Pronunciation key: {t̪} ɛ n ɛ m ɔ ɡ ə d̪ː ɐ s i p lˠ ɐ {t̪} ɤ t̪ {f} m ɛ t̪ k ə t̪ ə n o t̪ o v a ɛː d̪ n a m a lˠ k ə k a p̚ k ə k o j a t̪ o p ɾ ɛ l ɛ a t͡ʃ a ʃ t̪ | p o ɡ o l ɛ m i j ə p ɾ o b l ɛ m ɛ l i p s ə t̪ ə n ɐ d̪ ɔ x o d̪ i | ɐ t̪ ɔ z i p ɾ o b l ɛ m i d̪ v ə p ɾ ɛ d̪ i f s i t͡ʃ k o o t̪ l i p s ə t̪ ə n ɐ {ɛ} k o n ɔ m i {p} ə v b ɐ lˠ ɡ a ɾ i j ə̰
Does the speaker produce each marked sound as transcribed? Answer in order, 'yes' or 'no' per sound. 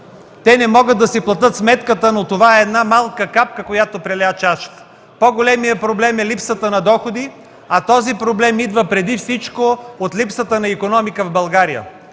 yes, yes, no, no, no

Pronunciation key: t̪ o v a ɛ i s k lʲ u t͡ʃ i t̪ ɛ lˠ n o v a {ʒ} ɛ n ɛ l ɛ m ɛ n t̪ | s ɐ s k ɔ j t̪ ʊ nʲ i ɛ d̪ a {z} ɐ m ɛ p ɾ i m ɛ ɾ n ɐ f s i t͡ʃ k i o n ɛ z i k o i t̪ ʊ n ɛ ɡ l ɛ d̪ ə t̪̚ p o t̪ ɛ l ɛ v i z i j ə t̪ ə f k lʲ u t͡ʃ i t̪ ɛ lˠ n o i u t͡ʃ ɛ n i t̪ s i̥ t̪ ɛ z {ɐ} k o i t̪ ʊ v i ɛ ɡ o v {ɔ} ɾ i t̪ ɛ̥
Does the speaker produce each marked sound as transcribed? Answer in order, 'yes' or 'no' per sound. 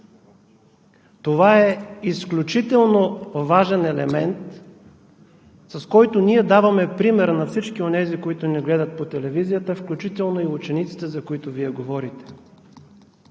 yes, no, yes, yes

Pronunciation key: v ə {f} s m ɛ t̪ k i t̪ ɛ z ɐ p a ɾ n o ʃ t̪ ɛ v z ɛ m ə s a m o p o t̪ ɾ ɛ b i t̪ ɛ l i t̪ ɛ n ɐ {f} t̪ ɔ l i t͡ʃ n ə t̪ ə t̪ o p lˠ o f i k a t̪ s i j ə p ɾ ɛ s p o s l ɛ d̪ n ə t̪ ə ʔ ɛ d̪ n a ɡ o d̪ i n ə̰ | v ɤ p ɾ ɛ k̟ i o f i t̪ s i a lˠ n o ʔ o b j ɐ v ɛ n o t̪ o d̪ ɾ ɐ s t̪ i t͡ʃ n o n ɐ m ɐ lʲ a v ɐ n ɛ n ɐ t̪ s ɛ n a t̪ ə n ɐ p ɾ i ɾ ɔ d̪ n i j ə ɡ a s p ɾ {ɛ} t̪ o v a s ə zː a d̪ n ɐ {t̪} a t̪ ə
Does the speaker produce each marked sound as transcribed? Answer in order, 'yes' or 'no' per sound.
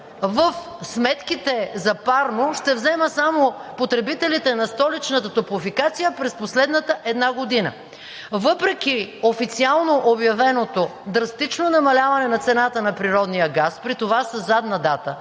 yes, no, no, no

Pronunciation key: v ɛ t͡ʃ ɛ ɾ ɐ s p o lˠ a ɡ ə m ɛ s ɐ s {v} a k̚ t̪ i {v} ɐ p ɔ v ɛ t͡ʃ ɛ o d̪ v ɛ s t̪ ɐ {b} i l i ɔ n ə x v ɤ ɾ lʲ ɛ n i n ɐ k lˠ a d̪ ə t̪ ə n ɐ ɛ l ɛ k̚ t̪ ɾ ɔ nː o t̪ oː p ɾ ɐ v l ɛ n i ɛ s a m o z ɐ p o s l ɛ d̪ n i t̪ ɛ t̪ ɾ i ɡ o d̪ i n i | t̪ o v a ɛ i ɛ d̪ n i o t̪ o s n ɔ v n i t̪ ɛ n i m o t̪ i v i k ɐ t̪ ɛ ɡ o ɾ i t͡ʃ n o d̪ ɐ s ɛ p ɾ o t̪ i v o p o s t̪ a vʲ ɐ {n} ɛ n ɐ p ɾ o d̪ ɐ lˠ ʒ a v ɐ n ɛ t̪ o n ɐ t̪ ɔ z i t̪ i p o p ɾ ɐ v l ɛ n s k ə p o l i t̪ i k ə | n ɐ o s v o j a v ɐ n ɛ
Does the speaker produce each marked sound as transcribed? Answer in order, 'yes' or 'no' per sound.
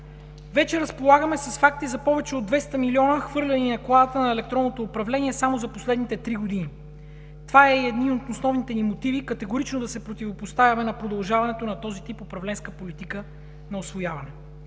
no, no, no, no

